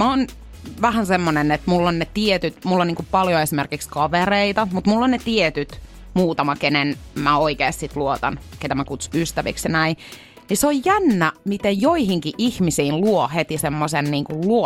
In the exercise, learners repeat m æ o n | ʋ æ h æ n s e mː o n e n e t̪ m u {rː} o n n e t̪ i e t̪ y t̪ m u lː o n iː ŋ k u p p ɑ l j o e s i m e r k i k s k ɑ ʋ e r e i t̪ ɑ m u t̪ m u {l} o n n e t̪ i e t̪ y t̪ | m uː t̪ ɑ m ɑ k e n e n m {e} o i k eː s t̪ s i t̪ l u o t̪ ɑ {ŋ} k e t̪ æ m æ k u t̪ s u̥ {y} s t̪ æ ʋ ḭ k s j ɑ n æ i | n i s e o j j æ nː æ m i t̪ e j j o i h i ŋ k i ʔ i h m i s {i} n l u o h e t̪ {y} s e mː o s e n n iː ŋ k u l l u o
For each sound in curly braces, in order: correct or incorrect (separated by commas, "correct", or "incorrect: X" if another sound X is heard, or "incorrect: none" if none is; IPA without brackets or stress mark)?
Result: incorrect: lː, incorrect: lː, incorrect: æ, incorrect: n, correct, incorrect: iː, incorrect: i